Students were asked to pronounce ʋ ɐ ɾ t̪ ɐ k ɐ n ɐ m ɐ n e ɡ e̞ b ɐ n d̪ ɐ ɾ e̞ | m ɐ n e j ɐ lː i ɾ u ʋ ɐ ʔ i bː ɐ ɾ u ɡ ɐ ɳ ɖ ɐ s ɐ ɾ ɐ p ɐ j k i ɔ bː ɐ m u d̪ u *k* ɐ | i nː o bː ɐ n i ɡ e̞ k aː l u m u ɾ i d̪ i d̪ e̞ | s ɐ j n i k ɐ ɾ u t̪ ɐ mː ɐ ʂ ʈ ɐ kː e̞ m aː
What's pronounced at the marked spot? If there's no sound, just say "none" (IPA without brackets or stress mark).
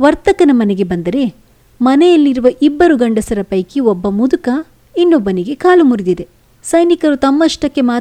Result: k